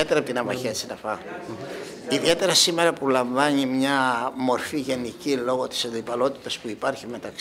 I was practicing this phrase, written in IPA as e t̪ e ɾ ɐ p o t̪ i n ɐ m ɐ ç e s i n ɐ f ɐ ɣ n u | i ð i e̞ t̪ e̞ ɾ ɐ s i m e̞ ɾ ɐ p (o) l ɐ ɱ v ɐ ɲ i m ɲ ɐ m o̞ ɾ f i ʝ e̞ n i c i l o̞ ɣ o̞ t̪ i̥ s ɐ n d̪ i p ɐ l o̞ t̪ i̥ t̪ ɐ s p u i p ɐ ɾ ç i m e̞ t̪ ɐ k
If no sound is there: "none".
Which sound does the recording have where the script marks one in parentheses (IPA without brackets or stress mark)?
u